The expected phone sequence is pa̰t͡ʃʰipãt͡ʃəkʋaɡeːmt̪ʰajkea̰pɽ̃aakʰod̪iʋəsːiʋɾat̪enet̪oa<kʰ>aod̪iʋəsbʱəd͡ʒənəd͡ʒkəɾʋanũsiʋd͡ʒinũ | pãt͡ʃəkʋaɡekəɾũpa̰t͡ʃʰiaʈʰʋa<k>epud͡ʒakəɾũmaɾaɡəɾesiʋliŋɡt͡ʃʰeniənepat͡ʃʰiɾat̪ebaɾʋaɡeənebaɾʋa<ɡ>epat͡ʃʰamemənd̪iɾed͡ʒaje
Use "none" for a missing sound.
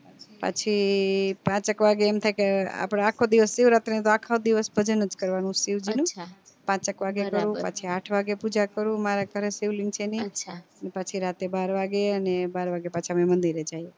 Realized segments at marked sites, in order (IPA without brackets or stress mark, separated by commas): kʰ, ɡ, ɡ